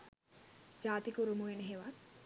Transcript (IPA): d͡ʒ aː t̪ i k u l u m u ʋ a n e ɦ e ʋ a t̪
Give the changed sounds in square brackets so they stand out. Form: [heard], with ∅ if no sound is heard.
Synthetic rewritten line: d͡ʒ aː t̪ i k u [ɾ] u m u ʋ [e] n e ɦ e ʋ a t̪

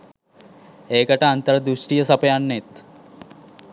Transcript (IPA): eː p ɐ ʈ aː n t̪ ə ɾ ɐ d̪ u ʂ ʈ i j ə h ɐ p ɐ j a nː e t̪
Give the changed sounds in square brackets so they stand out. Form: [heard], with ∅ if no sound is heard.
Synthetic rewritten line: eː [k] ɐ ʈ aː n t̪ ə ɾ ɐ d̪ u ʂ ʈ i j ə [s] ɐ p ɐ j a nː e t̪

